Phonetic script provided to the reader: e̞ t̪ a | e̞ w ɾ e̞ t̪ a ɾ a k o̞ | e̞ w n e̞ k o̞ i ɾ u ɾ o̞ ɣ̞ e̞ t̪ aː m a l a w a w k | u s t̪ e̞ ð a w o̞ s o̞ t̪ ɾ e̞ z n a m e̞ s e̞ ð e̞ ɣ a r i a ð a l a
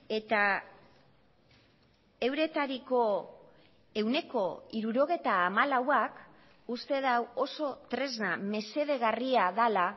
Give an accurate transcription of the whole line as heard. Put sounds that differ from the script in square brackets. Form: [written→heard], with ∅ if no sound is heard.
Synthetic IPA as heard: e̞ t̪ a | e̞ w ɾ e̞ t̪ a ɾ [a→i] k o̞ | e̞ w n e̞ k o̞ i ɾ u ɾ o̞ ɣ̞ e̞ t̪ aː m a l a w a [w→∅] k | u s t̪ e̞ ð a w o̞ s o̞ t̪ ɾ e̞ z n a m e̞ s e̞ ð e̞ ɣ a r i a ð a l a